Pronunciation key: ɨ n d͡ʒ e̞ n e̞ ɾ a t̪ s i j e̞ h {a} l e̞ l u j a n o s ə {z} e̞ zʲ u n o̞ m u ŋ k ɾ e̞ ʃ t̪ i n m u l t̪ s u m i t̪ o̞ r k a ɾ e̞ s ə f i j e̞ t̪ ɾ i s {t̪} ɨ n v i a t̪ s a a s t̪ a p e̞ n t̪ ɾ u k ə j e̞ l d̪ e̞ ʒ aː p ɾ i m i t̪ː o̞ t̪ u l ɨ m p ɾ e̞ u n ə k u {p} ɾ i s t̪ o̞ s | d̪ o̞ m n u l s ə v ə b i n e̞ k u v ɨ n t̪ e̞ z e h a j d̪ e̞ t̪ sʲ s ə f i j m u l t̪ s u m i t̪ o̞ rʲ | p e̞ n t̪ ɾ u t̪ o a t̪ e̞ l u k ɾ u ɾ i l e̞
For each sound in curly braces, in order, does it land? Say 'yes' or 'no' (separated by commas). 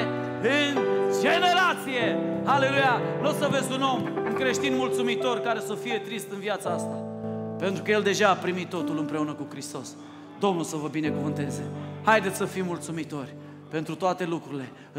yes, no, yes, no